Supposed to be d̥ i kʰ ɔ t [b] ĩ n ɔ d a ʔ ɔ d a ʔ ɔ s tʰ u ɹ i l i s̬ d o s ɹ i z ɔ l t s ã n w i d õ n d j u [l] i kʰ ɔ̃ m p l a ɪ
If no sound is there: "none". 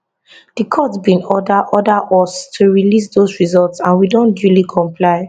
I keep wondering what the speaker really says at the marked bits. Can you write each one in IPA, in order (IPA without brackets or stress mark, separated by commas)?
b, l